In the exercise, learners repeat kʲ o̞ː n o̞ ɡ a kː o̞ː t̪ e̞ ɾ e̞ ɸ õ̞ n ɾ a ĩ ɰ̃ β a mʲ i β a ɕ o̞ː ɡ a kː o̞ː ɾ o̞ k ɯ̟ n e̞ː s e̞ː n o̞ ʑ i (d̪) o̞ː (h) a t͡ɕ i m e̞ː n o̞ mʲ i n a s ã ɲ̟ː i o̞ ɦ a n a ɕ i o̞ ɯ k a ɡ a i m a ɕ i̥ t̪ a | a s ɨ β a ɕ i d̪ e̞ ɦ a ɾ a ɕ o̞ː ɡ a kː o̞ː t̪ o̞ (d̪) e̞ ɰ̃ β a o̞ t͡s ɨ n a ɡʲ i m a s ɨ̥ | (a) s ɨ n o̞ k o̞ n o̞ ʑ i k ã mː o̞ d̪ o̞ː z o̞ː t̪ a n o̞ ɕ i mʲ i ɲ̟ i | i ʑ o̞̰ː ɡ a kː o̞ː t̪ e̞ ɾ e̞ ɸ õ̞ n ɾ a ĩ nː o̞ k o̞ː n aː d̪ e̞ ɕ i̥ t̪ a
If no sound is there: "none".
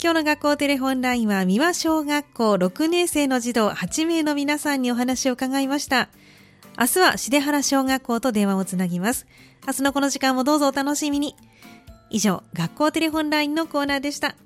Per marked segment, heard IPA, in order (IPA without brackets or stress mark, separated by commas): d̪, h, d̪, a